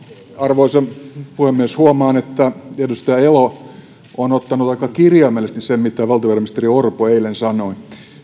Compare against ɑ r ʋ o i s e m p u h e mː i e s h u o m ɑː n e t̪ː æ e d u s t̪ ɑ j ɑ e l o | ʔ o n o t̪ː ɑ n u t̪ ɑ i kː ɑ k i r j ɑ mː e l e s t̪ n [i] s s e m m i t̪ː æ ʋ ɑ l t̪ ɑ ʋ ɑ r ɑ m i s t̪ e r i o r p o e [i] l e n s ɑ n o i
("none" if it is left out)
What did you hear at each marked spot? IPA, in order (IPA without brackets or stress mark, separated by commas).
i, i